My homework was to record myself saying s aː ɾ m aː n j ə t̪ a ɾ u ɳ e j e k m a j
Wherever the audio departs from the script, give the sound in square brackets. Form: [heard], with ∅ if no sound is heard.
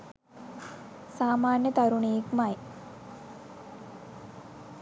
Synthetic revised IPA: s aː [∅] m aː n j ə t̪ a ɾ u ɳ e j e k m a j